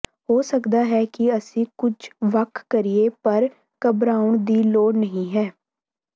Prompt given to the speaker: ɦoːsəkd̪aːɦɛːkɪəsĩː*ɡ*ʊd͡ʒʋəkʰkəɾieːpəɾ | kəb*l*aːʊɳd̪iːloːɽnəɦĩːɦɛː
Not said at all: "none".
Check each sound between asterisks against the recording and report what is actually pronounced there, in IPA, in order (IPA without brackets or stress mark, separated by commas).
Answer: k, ɾ